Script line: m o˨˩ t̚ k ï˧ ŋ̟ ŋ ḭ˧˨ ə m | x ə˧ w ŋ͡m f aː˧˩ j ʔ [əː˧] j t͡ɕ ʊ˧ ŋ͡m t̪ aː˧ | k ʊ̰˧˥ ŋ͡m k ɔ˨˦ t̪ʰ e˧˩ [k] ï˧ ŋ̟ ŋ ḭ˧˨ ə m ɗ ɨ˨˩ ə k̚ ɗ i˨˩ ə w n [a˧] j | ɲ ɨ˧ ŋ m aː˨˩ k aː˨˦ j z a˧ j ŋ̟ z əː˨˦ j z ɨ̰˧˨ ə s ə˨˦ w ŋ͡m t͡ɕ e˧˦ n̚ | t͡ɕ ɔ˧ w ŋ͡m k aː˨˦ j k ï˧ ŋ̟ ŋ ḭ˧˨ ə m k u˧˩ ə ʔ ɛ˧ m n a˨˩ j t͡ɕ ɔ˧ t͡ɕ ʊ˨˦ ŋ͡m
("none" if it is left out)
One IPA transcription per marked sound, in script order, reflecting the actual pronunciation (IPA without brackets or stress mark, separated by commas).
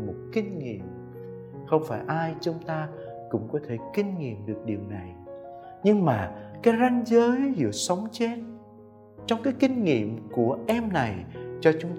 aː˧, k, a˨˩